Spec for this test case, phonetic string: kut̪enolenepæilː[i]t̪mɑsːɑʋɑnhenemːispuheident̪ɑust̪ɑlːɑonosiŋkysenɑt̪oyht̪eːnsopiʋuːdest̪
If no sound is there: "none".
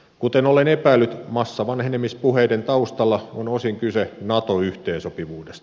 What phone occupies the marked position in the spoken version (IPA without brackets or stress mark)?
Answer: y